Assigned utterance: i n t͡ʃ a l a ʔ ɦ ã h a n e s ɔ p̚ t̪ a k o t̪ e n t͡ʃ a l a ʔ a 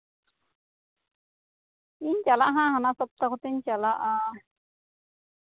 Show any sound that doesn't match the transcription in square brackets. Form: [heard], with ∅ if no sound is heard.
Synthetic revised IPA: i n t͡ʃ a l a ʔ ɦ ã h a n [a] s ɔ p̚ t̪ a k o t̪ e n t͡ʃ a l a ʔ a